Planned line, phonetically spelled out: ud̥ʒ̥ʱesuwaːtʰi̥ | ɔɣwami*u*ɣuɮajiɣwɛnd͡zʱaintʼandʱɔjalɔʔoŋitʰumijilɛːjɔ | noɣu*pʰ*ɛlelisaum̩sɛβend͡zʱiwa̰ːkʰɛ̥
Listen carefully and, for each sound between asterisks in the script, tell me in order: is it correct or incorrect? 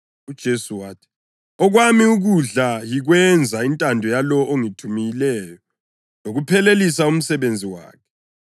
correct, correct

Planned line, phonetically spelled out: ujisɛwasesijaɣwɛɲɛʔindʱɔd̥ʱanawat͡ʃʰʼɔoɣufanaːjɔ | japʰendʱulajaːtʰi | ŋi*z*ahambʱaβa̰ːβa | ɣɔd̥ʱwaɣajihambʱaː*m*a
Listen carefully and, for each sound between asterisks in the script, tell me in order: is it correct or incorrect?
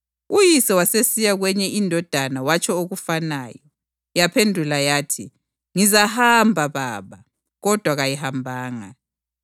correct, incorrect: ŋ

